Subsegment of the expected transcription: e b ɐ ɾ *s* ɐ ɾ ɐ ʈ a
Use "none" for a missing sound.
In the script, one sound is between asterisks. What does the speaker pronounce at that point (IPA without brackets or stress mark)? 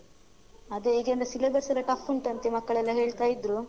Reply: s